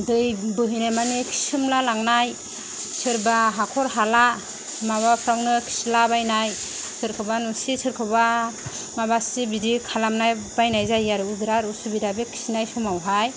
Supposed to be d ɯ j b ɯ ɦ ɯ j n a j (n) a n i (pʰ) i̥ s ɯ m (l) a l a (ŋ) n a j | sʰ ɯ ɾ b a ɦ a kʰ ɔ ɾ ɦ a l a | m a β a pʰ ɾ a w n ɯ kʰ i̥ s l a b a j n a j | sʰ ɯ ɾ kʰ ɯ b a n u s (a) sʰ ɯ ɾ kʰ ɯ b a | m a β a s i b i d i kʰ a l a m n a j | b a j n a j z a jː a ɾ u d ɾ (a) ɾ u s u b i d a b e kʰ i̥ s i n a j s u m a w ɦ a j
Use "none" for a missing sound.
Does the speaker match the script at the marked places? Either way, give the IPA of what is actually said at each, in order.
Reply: m, kʰ, l, ŋ, i, a

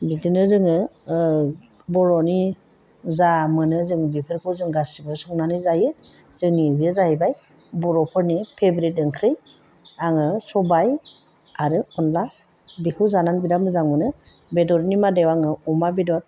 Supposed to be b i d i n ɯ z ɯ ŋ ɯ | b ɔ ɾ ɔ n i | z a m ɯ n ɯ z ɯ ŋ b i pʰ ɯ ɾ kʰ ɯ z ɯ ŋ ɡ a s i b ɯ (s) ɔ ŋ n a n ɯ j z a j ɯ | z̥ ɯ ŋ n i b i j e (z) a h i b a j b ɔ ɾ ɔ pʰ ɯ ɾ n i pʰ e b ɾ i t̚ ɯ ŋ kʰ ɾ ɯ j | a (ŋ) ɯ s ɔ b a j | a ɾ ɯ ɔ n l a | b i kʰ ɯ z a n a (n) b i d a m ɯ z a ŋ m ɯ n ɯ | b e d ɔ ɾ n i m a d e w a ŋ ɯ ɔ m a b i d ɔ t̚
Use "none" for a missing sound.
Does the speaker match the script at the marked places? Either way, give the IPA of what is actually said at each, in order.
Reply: s, z, ŋ, n

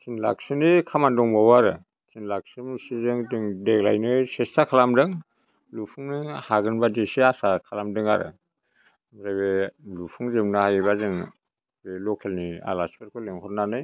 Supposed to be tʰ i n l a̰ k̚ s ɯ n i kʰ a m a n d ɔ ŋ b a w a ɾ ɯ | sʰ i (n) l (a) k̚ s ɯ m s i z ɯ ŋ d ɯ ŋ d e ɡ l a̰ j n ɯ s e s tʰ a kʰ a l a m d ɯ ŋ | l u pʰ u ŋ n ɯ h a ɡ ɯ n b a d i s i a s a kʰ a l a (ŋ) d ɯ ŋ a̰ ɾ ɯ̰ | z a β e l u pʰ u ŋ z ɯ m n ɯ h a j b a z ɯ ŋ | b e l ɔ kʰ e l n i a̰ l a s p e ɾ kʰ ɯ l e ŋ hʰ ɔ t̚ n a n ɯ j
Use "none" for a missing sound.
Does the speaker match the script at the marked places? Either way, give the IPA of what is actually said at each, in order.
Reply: n, a, m

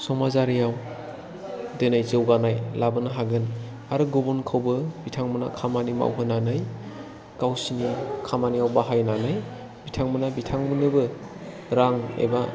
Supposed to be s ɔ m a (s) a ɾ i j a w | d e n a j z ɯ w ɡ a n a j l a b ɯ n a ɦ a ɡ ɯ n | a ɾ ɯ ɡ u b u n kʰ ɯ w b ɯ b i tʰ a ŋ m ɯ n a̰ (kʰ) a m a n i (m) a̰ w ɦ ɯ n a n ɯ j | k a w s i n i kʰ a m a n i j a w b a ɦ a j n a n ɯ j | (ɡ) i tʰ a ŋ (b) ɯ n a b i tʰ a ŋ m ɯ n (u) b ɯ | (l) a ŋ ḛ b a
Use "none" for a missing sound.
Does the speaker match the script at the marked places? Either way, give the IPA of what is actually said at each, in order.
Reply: z, kʰ, m, b, m, ɯ, ɾ

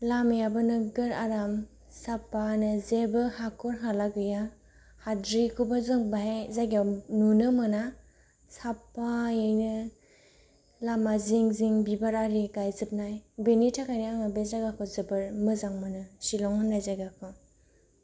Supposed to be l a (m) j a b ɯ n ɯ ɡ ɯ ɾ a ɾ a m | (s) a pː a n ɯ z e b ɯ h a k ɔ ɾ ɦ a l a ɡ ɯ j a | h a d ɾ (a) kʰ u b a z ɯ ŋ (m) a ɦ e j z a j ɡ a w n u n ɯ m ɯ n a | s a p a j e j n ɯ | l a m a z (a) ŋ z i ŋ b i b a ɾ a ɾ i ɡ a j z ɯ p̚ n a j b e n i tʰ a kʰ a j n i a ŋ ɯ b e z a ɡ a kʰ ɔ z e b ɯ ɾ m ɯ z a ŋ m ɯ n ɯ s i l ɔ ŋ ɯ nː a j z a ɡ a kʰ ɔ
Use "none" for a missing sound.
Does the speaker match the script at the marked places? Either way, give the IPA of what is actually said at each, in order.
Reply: m, s, i, b, i

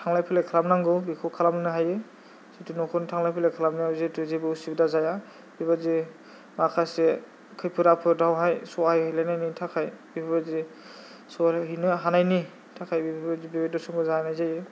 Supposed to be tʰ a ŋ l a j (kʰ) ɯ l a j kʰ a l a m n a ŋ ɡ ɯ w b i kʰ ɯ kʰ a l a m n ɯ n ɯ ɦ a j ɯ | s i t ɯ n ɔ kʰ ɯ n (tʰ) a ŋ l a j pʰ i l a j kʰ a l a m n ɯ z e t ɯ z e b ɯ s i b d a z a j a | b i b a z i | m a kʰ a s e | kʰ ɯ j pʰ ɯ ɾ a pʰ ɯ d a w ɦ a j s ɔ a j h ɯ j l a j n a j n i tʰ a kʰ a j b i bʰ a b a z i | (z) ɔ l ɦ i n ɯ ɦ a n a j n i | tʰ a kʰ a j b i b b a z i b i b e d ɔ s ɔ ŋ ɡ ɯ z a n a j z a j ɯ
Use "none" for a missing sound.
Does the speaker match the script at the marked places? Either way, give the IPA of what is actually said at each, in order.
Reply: pʰ, tʰ, s

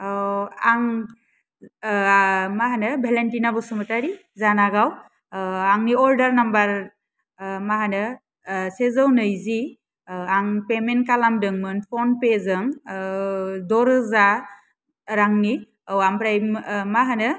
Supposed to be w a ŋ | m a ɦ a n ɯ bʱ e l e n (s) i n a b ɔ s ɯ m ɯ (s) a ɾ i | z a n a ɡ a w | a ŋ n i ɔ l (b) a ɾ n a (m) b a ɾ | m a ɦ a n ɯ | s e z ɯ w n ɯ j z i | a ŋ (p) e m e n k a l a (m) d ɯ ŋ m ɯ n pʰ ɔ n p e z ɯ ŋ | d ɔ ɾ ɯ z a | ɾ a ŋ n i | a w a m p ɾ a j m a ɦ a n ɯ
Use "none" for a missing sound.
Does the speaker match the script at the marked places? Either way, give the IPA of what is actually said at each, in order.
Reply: t, t, d, m, p, m

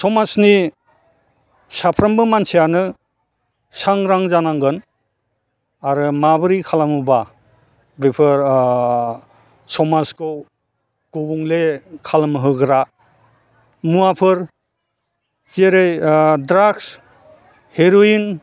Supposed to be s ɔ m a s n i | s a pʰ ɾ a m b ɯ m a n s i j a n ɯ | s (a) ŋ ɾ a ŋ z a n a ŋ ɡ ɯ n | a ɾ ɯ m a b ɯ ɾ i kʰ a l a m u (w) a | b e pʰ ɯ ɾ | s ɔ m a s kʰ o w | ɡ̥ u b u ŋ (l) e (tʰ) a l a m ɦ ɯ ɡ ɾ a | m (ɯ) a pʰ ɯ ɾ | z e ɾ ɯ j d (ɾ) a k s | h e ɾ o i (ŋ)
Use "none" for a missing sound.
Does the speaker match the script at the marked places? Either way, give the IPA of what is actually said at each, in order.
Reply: a, b, l, kʰ, u, ɾ, n

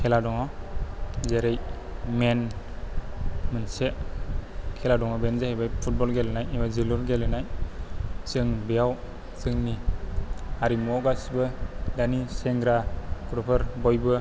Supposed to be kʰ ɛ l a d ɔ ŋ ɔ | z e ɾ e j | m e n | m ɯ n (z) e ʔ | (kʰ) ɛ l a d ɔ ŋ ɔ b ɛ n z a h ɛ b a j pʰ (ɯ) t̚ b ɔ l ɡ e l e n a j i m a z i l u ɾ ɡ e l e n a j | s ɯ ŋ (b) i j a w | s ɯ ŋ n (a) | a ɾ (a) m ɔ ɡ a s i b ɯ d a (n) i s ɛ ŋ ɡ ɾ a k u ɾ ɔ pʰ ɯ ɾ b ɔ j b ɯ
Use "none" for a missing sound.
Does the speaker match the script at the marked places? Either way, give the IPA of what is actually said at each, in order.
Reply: s, kʰ, u, b, i, i, n

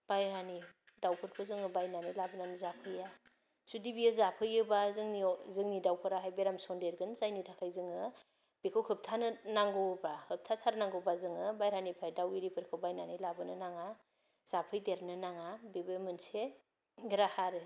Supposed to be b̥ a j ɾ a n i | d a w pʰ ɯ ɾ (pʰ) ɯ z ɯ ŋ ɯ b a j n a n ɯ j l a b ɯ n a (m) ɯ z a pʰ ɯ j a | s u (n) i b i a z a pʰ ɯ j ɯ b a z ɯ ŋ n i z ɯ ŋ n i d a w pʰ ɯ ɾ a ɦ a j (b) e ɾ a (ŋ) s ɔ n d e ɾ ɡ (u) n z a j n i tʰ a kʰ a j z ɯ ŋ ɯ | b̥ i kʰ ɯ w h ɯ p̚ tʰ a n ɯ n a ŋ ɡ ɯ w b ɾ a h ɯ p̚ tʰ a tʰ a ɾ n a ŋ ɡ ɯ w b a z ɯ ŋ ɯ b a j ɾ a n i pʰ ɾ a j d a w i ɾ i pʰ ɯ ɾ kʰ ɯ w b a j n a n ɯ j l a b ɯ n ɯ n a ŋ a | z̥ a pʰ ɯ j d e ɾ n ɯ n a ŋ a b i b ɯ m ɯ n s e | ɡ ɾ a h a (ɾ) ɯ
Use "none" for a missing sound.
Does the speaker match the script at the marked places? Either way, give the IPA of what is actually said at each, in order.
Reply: kʰ, n, d, b, m, ɯ, ɾ

